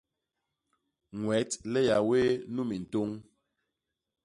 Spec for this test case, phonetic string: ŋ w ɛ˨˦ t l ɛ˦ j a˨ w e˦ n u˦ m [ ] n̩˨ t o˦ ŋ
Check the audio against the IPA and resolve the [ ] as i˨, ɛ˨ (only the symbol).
i˨